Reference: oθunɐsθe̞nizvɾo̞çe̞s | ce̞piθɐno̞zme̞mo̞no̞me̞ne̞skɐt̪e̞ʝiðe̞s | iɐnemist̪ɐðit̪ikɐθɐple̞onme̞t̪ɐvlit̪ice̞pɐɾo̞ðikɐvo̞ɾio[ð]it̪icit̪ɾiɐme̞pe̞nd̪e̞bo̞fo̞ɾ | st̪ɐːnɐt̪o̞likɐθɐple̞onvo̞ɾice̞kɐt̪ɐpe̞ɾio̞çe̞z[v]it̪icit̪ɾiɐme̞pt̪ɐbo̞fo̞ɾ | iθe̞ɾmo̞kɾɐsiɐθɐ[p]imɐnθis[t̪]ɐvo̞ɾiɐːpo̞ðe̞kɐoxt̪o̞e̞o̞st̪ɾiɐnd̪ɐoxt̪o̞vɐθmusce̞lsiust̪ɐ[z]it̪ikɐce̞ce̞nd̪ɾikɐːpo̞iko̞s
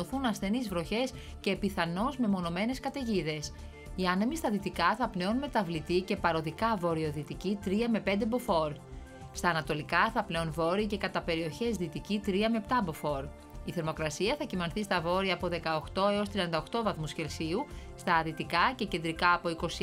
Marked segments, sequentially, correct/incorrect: correct, incorrect: ð, incorrect: c, correct, incorrect: ð

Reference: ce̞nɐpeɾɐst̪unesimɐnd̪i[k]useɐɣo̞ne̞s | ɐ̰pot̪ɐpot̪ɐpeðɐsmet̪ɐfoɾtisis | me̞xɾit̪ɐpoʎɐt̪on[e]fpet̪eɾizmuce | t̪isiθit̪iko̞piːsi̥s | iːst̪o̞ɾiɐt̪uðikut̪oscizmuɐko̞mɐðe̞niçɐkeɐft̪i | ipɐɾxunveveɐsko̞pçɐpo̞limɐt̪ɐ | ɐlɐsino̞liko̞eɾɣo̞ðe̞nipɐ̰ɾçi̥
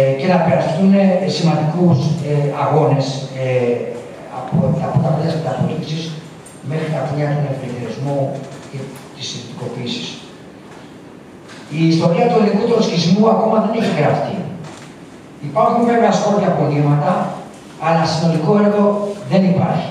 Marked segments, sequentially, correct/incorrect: correct, correct

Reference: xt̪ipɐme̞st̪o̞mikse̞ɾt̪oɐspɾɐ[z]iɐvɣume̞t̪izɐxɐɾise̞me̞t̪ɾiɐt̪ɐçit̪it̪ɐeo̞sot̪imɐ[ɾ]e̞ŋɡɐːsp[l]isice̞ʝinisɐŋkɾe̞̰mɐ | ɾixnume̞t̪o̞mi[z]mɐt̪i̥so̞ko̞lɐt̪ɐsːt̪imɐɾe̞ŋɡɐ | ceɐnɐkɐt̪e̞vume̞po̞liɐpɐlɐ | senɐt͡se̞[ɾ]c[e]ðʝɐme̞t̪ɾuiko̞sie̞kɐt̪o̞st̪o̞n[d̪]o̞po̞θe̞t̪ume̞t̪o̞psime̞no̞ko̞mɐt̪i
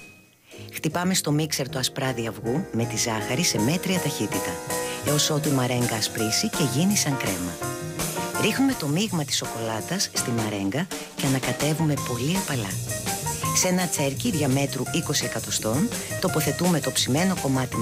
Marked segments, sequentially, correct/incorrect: incorrect: ð, correct, incorrect: ɾ, incorrect: ɣ, correct, incorrect: i, incorrect: t̪

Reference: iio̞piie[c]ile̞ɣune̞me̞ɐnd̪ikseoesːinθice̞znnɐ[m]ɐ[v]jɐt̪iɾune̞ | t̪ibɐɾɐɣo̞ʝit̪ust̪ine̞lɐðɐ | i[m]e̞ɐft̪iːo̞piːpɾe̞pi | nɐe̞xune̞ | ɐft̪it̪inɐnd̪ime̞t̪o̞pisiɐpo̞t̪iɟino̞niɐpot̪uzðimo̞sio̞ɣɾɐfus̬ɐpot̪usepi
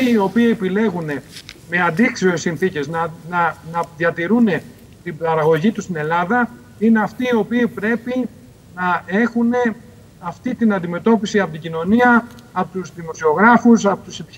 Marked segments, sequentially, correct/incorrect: incorrect: p, incorrect: n, incorrect: ð, incorrect: n

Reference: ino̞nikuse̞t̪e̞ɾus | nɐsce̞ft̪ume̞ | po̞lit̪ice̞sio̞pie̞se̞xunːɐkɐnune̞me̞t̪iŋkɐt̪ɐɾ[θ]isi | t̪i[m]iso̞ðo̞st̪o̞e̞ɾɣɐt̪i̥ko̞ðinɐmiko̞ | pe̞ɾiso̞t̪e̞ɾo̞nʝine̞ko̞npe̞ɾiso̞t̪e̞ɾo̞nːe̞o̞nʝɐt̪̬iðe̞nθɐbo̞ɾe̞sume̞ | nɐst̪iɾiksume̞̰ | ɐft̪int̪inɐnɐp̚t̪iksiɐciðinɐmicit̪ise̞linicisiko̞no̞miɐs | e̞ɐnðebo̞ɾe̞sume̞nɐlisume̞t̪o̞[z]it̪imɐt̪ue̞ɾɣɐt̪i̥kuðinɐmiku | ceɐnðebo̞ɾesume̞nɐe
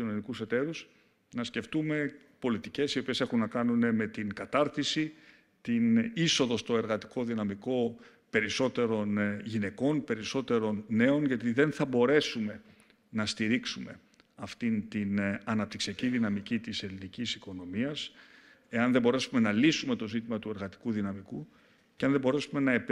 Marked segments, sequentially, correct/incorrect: correct, incorrect: n, correct

